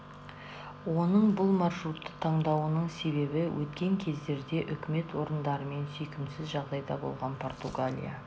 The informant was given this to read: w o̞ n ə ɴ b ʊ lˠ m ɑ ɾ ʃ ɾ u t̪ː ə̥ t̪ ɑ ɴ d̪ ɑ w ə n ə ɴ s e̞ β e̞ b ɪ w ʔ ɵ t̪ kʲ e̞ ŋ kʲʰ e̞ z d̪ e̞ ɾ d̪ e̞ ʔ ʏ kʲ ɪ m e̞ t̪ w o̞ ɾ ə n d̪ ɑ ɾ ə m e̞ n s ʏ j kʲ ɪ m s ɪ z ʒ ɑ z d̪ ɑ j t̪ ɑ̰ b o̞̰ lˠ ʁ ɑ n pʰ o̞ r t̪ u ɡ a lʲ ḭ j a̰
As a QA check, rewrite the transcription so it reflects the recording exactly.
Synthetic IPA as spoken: w o̞ n ə ɴ b ʊ lˠ m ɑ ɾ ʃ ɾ u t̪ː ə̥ t̪ʰ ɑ ɴ d̪ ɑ w ə n ə ɴ s e̞ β e̞ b ɪ w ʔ ɵ t̪ kʲ e̞ ŋ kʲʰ e̞ z d̪ e̞ ɾ d̪ e̞ ʔ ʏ kʲ ɪ m e̞ t̪ w o̞ ɾ ə n d̪ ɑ ɾ ə m e̞ n s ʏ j kʲ ɪ m s ɪ z ʒ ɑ ʁ d̪ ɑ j d̪ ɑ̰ b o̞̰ lˠ ʁ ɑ n pʰ o̞ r t̪ u ɡ a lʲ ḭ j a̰